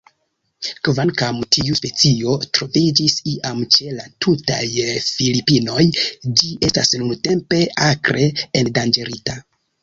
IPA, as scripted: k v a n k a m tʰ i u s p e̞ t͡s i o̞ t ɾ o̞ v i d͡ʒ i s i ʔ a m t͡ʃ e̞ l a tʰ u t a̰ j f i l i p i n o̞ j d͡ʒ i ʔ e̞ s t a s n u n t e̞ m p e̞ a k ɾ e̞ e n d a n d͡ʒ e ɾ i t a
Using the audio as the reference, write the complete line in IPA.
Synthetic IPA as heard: k v a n k a m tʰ i u s p e̞ t͡s i o̞ t ɾ o̞ v i d͡ʒ i s i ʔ a m t͡ʃ e̞ l a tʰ u t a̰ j f i l i p i n o̞ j d͡ʒ i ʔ e̞ s t a s n u n t e̞ m p e̞ a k ɾ e̞ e n d a n d͡ʒ e ɾ i t a